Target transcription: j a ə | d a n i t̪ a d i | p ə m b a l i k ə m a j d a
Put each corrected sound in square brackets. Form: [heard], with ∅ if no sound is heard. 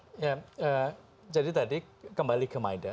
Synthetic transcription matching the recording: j a ə | [d͡ʒ] a [d] i t̪ a d i | [k] ə m b a l i k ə m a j d a